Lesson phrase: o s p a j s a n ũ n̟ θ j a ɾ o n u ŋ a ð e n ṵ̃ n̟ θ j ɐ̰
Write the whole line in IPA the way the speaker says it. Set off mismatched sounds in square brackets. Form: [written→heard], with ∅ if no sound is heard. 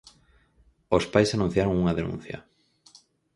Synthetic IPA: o s p a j s a n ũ n̟ θ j a ɾ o [n→ŋ] u ŋ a ð e n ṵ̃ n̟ θ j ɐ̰